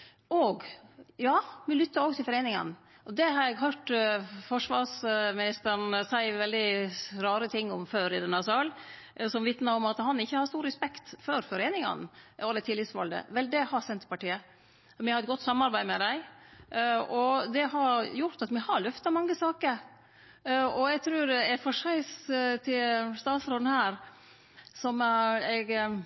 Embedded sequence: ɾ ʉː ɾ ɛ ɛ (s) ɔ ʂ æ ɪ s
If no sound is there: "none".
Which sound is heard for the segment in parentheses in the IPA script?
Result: f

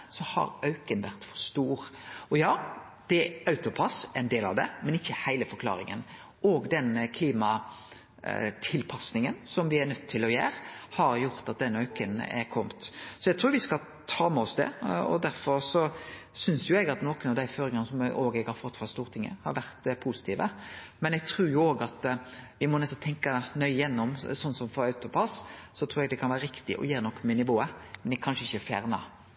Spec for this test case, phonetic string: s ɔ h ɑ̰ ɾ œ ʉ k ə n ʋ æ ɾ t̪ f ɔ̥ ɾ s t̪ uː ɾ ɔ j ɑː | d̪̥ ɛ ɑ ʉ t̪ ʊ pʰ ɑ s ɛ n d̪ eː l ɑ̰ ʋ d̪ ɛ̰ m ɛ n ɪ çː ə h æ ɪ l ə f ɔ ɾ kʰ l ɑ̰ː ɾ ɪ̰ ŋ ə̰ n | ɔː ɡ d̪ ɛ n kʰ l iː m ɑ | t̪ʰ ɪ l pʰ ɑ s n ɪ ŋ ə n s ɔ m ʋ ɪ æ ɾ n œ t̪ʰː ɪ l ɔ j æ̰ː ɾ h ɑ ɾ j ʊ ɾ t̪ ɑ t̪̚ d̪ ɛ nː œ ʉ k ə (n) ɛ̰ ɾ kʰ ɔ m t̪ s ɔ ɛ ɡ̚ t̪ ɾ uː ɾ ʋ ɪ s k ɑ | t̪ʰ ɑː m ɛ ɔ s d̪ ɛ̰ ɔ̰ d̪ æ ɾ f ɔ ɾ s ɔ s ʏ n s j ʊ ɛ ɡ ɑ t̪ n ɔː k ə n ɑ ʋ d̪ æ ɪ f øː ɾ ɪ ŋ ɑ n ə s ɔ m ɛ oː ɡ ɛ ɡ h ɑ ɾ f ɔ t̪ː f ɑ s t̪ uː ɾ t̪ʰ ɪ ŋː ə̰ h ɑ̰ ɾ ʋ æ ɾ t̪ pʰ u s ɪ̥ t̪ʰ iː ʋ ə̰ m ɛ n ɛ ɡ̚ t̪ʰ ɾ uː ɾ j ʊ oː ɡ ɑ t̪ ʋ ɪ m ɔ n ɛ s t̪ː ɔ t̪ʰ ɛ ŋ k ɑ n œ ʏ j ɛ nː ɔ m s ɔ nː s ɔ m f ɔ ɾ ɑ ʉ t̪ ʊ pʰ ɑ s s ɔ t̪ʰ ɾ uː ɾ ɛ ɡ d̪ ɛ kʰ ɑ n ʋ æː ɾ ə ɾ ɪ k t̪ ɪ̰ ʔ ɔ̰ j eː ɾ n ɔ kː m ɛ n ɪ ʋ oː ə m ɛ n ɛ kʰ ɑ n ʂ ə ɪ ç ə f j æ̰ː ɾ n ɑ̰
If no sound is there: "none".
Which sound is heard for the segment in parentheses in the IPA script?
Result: n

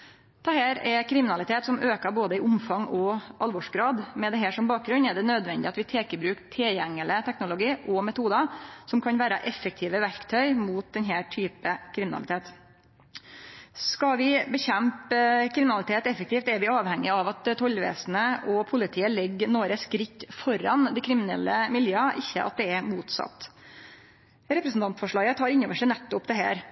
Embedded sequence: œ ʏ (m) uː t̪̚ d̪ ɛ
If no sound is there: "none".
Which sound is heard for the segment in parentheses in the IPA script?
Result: m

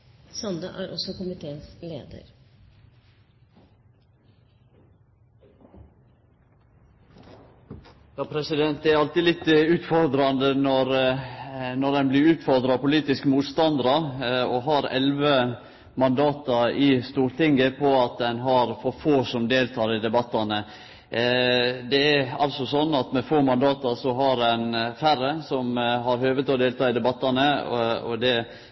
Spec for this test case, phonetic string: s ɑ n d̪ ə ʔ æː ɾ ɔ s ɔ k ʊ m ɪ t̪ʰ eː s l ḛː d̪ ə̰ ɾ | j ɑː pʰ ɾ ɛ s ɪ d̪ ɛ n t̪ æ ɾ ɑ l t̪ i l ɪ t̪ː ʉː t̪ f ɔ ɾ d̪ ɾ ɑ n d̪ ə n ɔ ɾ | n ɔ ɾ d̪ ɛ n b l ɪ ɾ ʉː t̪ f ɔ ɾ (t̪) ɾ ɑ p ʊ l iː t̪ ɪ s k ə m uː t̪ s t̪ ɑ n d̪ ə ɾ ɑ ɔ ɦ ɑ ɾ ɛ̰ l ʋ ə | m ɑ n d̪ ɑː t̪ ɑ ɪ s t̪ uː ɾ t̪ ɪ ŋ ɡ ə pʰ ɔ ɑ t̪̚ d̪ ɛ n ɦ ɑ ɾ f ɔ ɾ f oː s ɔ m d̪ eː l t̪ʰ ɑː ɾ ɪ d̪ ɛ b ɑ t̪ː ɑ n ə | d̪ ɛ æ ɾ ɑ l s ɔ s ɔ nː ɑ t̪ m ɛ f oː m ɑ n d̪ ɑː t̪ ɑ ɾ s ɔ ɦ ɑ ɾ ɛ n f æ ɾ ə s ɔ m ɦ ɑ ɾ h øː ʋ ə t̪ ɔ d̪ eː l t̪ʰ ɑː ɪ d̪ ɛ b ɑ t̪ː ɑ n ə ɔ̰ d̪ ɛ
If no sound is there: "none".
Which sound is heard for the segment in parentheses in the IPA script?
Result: d̪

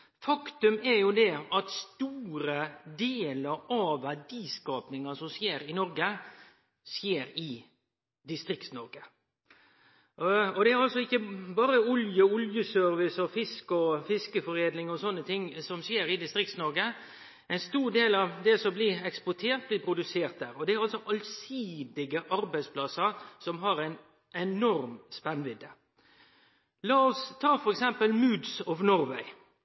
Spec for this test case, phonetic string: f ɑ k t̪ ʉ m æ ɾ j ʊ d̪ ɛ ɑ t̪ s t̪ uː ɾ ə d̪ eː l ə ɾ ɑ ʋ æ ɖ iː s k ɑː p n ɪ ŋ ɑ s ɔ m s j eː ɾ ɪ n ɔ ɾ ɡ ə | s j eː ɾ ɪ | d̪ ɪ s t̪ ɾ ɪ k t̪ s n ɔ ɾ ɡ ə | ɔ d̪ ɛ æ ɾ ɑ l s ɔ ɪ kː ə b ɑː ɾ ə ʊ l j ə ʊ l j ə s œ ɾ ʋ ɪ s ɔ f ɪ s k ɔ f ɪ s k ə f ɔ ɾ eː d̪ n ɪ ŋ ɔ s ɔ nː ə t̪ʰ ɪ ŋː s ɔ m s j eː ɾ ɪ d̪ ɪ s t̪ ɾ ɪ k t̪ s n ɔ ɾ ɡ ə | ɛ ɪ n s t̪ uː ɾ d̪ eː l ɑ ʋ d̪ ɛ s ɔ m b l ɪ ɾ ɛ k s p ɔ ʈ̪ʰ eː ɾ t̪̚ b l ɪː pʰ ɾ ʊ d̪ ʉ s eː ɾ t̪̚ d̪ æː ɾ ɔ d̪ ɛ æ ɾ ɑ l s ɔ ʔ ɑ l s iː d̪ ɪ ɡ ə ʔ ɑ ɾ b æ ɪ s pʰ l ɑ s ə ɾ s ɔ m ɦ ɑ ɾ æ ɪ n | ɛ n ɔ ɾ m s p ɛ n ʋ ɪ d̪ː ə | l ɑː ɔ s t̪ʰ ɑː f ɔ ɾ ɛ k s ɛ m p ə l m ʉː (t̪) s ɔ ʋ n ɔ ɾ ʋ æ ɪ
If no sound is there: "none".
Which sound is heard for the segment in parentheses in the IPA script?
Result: d̪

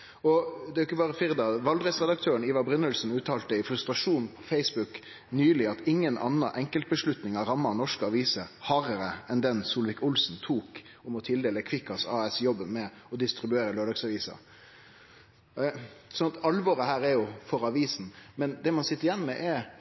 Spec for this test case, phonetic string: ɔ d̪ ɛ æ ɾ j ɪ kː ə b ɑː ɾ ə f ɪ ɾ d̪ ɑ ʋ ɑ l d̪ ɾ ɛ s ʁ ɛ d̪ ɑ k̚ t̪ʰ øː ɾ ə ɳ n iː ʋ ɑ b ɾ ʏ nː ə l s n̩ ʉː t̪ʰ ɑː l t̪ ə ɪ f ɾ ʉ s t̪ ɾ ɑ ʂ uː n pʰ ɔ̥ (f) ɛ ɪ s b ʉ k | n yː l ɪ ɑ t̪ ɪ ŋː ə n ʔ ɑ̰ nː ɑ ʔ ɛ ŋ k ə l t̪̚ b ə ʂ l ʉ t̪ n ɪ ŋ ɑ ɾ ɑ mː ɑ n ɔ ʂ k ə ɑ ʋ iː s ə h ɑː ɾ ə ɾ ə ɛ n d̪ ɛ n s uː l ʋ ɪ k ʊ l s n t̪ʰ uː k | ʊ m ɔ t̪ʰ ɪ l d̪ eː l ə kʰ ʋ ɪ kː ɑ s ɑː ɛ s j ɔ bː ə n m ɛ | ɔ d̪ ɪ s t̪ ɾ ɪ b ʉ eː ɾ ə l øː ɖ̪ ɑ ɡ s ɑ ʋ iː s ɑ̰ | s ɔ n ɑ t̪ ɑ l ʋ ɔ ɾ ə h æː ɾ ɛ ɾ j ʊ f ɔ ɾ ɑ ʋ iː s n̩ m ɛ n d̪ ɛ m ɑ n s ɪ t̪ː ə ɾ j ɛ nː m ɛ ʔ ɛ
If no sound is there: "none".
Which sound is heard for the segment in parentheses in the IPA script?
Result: f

